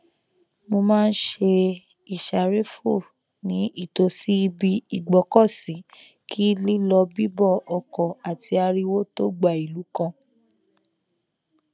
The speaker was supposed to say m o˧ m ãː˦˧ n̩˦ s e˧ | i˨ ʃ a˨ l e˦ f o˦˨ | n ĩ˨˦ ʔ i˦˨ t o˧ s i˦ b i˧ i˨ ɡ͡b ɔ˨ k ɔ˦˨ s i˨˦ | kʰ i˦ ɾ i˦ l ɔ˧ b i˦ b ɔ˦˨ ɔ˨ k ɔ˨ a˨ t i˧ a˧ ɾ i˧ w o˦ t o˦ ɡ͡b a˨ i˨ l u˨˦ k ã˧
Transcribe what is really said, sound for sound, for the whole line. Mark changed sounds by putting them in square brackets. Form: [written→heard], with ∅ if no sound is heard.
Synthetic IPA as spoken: m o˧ m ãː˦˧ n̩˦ [s→ʃ] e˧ | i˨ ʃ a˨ [l→ɾ] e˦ f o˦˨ | n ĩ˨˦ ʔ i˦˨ t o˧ s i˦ b i˧ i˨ ɡ͡b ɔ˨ k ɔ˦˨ s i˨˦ | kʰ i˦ [ɾ→l] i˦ l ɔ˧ b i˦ b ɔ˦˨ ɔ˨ k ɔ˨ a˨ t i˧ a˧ ɾ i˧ w o˦ t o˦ ɡ͡b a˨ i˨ l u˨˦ k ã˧